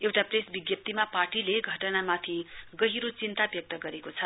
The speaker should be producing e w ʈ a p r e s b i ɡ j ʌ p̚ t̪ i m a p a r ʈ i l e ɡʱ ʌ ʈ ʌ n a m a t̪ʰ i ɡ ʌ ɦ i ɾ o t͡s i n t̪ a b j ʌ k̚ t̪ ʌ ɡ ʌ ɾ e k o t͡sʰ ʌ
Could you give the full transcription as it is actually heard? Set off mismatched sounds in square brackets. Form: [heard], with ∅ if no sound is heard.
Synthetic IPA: e w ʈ a p r e s b i ɡ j ʌ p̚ t̪ i m a p a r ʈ i l e ɡʱ ʌ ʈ ʌ n a m a t̪ʰ i ɡ ʌ ɦ i ɾ o t͡s i n t̪ a b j ʌ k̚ t̪ ʌ ɡ ʌ ɾ e k o t͡sʰ ʌ